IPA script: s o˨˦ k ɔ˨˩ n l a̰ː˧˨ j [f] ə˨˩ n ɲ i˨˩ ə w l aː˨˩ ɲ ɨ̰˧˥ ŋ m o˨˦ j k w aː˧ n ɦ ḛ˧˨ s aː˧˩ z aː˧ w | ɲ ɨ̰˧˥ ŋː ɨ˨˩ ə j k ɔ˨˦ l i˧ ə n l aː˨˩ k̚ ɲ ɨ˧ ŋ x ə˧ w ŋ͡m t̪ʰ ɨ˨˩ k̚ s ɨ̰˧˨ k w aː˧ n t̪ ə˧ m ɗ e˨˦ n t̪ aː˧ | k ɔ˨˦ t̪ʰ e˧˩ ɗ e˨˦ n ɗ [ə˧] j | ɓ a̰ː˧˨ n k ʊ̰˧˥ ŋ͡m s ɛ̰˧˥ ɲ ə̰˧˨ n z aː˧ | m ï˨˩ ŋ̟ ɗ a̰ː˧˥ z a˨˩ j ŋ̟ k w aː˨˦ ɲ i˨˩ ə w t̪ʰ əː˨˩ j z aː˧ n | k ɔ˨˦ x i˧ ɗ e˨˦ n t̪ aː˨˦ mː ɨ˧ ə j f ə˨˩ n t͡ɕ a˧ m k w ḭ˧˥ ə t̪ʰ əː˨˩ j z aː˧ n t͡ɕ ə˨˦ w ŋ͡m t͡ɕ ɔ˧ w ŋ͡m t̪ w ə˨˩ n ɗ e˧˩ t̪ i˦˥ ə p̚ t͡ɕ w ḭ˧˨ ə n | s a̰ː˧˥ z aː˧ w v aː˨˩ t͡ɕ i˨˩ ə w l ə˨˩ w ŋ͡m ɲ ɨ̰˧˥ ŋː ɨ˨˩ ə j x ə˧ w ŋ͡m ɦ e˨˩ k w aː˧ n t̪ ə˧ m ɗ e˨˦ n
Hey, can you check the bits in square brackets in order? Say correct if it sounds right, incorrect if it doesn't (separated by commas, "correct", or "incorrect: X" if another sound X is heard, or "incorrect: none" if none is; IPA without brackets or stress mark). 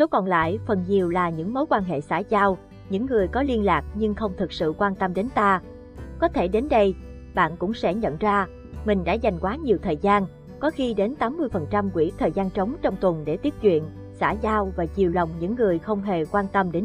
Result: correct, correct